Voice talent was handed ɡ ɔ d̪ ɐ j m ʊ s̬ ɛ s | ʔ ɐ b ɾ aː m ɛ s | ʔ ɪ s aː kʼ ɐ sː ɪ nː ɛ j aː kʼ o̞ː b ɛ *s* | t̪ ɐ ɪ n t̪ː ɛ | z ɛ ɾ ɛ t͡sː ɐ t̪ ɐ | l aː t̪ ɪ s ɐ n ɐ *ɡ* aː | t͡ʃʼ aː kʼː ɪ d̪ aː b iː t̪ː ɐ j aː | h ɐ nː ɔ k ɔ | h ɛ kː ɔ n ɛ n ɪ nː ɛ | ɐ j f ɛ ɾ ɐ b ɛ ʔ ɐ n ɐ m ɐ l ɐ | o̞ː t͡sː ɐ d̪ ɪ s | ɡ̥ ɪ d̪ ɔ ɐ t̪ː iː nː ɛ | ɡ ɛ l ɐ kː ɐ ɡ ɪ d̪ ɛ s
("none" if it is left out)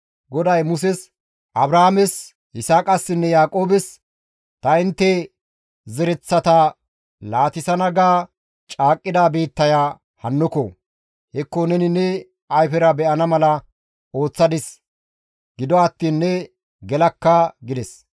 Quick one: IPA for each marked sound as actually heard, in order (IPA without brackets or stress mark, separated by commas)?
s, ɡ